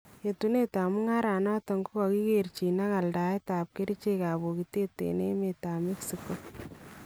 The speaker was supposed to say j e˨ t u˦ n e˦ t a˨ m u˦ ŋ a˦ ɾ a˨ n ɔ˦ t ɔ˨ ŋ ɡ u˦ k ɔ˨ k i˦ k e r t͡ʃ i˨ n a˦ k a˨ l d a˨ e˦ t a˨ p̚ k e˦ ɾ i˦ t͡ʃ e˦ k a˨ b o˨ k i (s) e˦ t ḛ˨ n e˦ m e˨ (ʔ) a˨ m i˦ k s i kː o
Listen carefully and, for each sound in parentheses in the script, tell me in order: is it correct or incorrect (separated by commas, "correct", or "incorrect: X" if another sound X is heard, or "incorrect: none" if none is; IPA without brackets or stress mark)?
incorrect: t, incorrect: t